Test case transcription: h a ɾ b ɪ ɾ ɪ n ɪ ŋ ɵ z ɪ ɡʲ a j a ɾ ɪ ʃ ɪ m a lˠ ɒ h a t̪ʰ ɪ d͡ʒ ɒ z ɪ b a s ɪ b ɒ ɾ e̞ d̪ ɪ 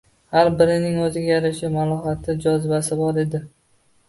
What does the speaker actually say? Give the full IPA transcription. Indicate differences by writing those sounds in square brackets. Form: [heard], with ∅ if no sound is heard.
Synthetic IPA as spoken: h a ɾ b ɪ ɾ ɪ n ɪ ŋ ɵ z ɪ ɡʲ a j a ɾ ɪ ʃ ɪ m a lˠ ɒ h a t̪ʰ ɪ d͡ʒ ɒ z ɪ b a s ɪ b ɒ ɾ e̞ d̪ ɪ